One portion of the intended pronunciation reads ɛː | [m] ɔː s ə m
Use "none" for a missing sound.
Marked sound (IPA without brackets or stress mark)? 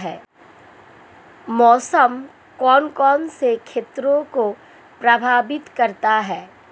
m